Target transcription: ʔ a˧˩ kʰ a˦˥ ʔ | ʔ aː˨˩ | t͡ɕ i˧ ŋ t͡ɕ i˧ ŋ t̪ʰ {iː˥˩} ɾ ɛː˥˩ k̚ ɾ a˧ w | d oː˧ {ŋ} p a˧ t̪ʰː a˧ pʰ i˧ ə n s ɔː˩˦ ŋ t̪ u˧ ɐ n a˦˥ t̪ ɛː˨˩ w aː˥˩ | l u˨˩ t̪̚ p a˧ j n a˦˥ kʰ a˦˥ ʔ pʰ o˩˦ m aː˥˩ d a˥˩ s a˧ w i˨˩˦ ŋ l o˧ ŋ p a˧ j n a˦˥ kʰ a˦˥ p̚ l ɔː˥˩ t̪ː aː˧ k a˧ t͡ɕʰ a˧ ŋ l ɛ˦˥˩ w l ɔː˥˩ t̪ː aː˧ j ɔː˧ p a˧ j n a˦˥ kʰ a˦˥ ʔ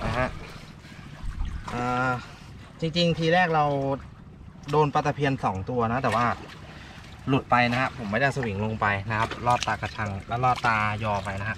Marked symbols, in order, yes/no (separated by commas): no, no